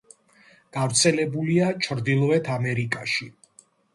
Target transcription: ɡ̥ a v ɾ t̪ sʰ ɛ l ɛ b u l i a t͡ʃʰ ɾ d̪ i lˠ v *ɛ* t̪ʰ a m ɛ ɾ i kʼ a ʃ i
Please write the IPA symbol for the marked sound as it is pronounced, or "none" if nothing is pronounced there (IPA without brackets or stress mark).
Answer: ɛ